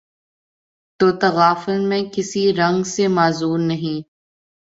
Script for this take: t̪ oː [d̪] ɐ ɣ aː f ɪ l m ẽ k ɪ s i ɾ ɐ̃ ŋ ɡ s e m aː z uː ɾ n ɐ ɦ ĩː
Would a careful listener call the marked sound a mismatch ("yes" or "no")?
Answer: yes